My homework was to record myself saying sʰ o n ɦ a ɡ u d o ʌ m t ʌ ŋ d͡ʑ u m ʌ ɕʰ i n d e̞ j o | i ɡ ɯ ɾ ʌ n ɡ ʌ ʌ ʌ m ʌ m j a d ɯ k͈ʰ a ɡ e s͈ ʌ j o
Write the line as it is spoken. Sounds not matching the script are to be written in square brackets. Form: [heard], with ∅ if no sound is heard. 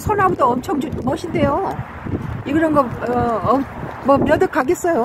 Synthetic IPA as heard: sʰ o n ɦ a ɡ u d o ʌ m [t͡ɕʰ] ʌ ŋ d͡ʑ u m ʌ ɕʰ i n d e̞ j o | i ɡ ɯ ɾ ʌ n ɡ ʌ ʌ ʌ m ʌ m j [ʌ] d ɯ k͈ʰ a ɡ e s͈ ʌ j o